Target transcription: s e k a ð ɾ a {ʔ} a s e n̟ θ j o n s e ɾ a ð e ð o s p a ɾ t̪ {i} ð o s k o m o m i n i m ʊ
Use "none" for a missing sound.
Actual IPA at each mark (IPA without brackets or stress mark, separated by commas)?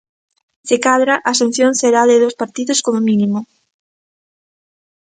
ʔ, i